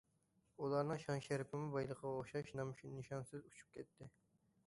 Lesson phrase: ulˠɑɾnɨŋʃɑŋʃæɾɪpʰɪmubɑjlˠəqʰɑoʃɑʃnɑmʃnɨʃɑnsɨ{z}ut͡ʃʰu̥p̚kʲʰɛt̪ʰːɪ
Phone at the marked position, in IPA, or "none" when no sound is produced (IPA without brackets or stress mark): z